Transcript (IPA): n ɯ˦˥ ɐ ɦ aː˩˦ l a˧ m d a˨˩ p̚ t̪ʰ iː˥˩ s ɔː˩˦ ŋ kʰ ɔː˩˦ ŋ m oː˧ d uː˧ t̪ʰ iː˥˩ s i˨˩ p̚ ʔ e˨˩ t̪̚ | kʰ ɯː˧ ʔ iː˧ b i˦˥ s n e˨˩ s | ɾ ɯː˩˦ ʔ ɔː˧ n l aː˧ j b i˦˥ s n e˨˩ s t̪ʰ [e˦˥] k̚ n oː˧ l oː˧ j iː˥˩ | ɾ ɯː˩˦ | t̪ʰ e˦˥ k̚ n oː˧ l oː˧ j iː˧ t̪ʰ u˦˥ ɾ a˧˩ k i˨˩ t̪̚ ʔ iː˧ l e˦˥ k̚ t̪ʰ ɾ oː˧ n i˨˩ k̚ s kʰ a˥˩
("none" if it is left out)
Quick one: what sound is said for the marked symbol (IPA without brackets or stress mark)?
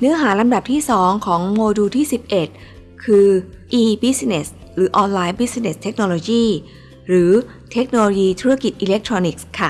e˦˥